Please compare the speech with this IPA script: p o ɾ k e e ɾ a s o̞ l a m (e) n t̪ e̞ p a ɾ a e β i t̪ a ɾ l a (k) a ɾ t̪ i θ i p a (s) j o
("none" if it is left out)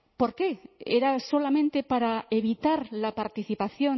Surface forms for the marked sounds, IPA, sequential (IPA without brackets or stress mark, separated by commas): ẽ, p, θ